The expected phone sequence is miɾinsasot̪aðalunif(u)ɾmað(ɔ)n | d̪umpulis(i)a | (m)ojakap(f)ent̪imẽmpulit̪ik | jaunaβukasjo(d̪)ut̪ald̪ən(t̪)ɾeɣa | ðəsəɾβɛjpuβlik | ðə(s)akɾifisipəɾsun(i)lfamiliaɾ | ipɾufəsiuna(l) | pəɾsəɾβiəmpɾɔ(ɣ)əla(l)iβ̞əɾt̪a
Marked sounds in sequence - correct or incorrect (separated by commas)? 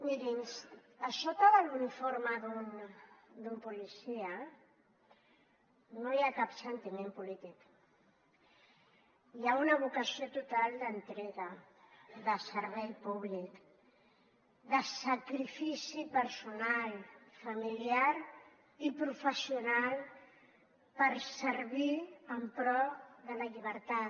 incorrect, incorrect, correct, incorrect, incorrect, incorrect, correct, correct, incorrect, correct, incorrect, incorrect